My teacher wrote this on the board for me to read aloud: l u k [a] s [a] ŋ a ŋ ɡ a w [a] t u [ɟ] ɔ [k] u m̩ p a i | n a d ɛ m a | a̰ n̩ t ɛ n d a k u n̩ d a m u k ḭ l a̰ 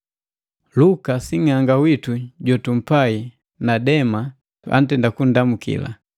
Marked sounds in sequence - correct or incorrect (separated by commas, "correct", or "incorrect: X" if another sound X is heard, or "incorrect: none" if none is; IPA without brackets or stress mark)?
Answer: correct, incorrect: i, incorrect: i, correct, incorrect: t